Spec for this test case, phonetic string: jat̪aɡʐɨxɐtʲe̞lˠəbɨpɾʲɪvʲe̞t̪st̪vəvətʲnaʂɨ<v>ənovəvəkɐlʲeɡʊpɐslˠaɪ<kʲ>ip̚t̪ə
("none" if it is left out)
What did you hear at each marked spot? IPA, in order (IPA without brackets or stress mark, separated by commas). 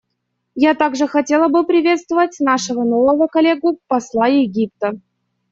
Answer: v, ɡʲ